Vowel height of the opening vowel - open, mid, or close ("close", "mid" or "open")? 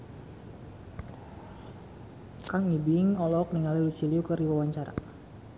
open